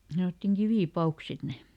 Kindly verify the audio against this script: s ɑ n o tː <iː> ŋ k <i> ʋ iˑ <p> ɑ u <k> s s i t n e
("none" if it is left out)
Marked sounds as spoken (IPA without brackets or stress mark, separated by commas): i, i, p, k